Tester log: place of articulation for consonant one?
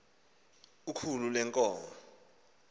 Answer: velar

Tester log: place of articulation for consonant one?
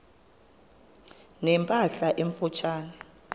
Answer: alveolar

